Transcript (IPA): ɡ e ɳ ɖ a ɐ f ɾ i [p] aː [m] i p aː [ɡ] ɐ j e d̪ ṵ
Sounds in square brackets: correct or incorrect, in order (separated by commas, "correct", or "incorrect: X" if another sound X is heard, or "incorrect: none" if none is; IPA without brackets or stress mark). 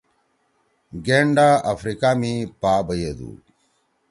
incorrect: k, correct, incorrect: b